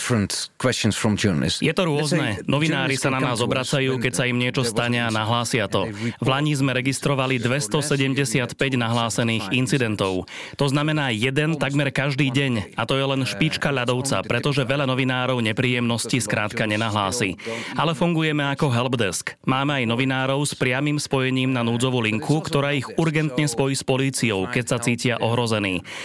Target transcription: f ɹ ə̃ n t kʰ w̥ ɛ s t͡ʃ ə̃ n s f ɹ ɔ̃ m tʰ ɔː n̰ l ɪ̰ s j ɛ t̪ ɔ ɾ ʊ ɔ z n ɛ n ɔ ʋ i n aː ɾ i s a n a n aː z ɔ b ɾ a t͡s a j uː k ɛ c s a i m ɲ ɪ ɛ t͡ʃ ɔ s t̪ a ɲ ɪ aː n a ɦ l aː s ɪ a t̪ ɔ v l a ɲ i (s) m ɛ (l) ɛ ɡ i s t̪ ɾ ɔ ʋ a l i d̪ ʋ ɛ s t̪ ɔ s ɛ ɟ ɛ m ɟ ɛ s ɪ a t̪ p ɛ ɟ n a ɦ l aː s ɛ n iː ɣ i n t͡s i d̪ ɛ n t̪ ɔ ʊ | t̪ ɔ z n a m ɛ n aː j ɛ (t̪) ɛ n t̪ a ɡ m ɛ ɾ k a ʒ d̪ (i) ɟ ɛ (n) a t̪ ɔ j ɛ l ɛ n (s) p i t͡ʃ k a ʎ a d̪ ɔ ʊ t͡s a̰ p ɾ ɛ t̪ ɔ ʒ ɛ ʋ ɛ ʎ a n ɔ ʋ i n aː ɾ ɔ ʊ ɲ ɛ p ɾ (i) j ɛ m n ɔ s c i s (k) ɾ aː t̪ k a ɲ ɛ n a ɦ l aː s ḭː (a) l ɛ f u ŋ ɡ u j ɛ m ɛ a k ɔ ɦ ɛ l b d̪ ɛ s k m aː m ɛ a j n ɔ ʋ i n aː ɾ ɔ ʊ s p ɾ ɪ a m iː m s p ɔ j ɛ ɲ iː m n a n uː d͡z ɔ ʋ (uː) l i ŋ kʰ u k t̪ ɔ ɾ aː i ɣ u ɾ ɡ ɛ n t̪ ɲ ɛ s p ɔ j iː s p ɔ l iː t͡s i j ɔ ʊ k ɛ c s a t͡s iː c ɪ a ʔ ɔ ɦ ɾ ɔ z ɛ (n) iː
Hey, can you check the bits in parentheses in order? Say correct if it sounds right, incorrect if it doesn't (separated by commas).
incorrect, incorrect, incorrect, incorrect, incorrect, incorrect, incorrect, correct, correct, incorrect, correct